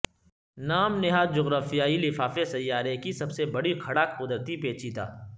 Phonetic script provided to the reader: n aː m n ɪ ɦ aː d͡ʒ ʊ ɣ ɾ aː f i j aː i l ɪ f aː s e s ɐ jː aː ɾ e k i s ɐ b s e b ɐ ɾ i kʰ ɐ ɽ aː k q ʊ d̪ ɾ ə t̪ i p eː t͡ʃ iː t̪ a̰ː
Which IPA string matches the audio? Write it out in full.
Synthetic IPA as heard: n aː m n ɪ ɦ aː d͡ʒ ʊ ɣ ɾ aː f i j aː i l ɪ f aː f e s ɐ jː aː ɾ e k i s ɐ b s e b ɐ ɽ i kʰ ɐ ɽ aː k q ʊ d̪ ɾ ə t̪ i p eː t͡ʃ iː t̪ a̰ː

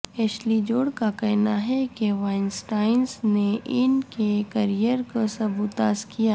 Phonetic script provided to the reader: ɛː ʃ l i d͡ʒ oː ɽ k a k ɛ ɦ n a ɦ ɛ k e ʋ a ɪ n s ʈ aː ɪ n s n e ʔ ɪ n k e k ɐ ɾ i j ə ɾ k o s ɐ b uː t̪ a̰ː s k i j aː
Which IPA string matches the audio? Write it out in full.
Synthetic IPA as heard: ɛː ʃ l i d͡ʒ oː ɽ k a k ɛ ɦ n a ɦ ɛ k e ʋ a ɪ n s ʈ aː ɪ n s n e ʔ ɪ n k e k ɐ ɾ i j ə ɾ k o s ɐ b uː t̪ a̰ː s k i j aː

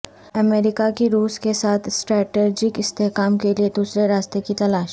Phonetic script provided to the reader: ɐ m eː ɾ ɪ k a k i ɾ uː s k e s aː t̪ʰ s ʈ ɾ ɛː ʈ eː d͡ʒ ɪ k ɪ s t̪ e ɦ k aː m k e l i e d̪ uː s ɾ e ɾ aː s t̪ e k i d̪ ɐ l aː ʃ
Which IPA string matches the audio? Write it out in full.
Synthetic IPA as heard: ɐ m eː ɾ ɪ k a k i ɾ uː s k e s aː t̪ʰ s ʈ ɾ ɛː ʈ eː d͡ʒ ɪ k ɪ s t̪ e ɦ k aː m k e l i e d̪ uː s ɾ e ɾ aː s t̪ e k i t̪ ɐ l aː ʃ

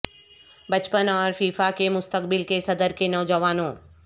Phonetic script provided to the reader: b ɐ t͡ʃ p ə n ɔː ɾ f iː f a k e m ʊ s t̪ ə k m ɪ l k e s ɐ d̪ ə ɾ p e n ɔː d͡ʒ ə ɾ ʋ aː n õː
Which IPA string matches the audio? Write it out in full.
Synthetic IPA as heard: b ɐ t͡ʃ p ə n ɔː ɾ f iː f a k e m ʊ s t̪ ə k b ɪ l k e s ɐ d̪ ə ɾ k e n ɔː d͡ʒ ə ʋ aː n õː

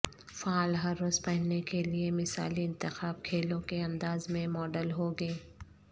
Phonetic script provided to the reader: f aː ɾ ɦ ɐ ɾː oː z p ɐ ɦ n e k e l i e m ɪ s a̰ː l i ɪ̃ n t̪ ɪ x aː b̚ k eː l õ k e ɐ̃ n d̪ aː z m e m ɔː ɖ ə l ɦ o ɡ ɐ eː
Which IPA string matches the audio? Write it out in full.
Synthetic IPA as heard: f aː l ɦ ɐ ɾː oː z p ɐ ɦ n e k e l i e m ɪ s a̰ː l i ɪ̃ n t̪ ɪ x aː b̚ kʰ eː l õ k e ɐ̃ n d̪ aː z m ẽ m ɔː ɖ ə l ɦ o ɡ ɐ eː

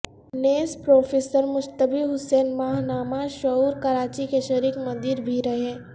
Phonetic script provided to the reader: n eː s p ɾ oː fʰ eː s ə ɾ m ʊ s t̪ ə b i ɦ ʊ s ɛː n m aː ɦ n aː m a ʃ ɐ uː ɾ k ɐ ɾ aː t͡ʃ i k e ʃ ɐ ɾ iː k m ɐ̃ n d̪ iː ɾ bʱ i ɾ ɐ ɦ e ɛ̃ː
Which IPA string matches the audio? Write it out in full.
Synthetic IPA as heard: n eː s p ɾ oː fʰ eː s ə ɾ m ʊ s t̪ ə b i ɦ ʊ s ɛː n m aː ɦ n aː m a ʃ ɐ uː ɾ k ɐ ɾ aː t͡ʃ i k e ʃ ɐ ɾ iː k m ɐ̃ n d̪ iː ɾ bʱ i ɾ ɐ ɦ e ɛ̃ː

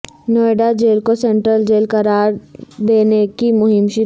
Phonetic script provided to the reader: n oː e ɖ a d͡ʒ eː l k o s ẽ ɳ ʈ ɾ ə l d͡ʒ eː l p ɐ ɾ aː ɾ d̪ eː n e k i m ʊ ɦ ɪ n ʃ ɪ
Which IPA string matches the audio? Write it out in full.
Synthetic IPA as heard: n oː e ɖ a d͡ʒ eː l k o s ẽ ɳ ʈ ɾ ə l d͡ʒ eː l k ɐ ɾ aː ɾ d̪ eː n e k i m ʊ ɦ ɪ m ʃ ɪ

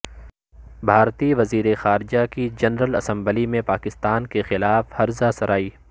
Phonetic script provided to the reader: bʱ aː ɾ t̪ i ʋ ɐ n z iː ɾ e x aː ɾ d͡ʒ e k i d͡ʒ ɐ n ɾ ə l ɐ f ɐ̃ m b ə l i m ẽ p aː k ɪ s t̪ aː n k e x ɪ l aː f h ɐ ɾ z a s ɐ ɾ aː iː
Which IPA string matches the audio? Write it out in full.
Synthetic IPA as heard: bʱ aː ɾ t̪ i ʋ ɐ z iː ɾ e x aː ɾ d͡ʒ a k i d͡ʒ ɐ n ɾ ə l ɐ s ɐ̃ m b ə l i m ẽ p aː k ɪ s t̪ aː n k e x ɪ l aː f h ɐ ɾ z a s ɐ ɾ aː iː

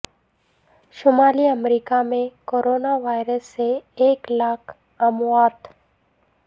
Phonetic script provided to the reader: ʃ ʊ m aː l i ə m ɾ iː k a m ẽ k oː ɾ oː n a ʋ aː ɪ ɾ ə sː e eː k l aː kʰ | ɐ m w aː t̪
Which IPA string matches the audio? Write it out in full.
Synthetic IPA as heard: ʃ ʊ m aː l i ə m ɾ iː k a m ẽ k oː ɾ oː n a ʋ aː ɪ ɾ ə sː e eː k l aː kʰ | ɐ m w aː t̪

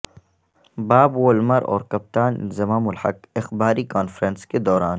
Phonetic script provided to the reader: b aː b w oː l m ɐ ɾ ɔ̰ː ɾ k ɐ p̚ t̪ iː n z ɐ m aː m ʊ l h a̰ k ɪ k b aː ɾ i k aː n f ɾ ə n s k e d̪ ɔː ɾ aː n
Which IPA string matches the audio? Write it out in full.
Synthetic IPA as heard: b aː b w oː l m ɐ ɾ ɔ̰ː ɾ k ɐ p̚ t̪ aː n z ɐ m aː m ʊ l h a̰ k ɪ x b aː ɾ i k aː n f ɾ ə n s k e d̪ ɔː ɾ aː n

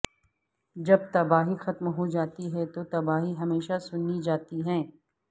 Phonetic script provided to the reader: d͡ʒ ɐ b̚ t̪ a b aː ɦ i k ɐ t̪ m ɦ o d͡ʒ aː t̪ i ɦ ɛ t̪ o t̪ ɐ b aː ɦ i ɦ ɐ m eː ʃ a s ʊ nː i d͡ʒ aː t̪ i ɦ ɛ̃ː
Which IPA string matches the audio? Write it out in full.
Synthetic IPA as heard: d͡ʒ ɐ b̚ t̪ ɐ b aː ɦ i x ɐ t̪ m ɦ o d͡ʒ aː t̪ i ɦ ɛ t̪ o t̪ ɐ b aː ɦ i ɦ ɐ m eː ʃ a s ʊ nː i d͡ʒ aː t̪ i ɦ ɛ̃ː

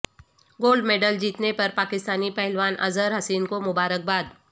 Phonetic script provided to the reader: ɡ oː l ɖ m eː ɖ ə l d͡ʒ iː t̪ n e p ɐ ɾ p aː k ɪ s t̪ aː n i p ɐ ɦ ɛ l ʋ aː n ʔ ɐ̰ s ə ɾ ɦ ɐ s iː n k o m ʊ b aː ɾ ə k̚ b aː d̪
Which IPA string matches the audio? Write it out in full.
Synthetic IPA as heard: ɡ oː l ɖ m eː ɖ ə l d͡ʒ iː t̪ n e p ɐ ɾ p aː k ɪ s t̪ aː n i p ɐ ɦ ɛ l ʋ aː n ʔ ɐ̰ z ə ɾ ɦ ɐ s iː n k o m ʊ b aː ɾ ə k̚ b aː d̪

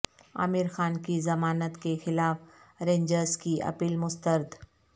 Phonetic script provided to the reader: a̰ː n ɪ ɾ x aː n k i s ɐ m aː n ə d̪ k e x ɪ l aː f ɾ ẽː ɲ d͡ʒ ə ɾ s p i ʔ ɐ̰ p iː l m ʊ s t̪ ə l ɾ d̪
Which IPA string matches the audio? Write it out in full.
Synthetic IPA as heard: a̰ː m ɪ ɾ x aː n k i z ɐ m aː n ə t̪ k e x ɪ l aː f ɾ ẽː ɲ d͡ʒ ə ɾ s k i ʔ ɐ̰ p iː l m ʊ s t̪ ə ɾ d̪

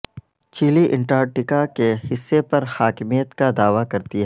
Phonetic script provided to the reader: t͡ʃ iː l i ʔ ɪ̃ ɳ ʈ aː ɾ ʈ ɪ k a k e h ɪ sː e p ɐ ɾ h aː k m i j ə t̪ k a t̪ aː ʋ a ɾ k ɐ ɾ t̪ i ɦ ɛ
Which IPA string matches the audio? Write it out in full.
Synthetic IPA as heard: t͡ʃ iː l i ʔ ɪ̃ ɳ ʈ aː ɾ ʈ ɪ k a k e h ɪ sː e p ɐ ɾ h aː k m i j ə t̪ k a d̪ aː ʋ a k ɐ ɾ t̪ i ɦ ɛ

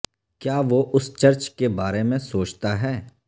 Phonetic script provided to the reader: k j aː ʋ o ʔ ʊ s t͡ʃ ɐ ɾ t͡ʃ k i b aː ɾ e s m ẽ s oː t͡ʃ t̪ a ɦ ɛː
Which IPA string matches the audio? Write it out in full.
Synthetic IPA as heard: k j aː ʋ o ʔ ʊ s t͡ʃ ɐ ɾ t͡ʃ k e b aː ɾ e m ẽ s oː t͡ʃ t̪ a ɦ ɛː

